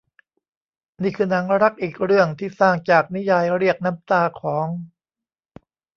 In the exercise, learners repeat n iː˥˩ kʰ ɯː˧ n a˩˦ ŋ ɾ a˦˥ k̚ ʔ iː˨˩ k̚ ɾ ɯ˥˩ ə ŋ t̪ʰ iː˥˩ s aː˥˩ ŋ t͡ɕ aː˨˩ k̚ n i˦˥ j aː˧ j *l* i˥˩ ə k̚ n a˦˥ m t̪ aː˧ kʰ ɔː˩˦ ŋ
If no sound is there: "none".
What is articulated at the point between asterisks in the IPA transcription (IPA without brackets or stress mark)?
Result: ɾ